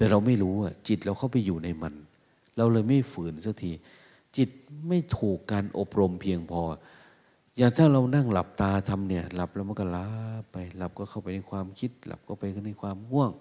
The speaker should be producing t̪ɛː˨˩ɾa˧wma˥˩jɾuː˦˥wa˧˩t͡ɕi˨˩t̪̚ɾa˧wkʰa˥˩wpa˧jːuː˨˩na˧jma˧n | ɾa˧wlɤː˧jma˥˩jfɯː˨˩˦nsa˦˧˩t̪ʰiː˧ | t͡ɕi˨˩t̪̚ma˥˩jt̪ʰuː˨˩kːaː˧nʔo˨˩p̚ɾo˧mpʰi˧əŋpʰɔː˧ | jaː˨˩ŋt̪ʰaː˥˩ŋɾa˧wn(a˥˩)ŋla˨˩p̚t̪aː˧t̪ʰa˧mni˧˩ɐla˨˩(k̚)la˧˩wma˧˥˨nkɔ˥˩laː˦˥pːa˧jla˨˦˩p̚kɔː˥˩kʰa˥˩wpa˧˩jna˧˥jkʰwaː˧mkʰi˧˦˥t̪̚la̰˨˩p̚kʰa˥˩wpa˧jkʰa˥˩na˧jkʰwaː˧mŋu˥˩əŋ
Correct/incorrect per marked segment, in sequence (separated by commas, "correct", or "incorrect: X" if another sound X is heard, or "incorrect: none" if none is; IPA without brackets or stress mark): correct, incorrect: p̚